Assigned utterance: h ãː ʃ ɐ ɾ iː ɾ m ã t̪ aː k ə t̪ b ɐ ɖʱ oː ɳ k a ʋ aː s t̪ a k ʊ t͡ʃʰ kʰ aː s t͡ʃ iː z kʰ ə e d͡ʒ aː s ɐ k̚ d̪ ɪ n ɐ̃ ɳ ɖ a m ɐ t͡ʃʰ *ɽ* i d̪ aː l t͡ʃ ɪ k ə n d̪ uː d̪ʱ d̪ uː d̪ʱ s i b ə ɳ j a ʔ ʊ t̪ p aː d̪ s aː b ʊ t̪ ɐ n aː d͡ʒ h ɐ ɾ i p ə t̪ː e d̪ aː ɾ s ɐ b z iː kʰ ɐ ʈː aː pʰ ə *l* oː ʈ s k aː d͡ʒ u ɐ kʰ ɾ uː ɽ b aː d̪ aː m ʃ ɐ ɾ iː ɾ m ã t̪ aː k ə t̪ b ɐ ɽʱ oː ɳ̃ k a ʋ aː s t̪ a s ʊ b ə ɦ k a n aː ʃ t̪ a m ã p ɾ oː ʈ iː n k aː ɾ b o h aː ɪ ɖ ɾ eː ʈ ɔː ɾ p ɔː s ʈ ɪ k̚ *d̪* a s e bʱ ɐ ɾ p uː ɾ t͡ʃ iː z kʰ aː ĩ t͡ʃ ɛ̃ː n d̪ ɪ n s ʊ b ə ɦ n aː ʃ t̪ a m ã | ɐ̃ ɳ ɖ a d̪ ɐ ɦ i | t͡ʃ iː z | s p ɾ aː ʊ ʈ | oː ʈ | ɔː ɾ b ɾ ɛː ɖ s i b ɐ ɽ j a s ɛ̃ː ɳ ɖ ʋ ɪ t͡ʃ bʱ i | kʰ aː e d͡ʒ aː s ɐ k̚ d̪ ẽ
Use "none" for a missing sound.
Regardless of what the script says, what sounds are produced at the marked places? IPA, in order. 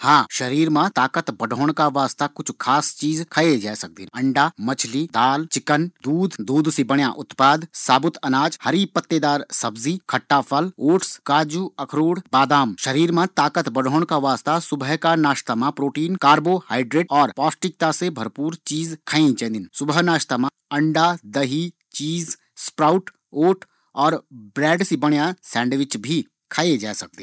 l, l, t̪

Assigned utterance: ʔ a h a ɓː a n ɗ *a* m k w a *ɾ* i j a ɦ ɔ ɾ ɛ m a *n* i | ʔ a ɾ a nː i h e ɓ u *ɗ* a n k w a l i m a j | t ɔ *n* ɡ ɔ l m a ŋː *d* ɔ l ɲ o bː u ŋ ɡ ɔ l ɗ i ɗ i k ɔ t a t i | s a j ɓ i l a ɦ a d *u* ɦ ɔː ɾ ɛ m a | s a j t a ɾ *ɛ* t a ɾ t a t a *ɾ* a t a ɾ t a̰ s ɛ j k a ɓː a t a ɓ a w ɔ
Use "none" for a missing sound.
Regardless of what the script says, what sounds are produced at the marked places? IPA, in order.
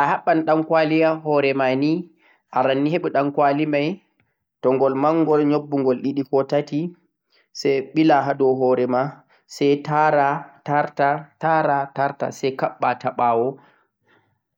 a, l, n, ɗ, ŋ, ɡ, ɔ, a, ɾ

